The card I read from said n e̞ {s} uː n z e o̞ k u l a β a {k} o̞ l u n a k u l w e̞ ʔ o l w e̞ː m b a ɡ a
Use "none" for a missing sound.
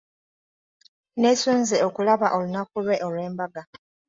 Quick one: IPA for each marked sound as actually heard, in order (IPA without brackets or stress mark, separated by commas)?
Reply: s, ʔ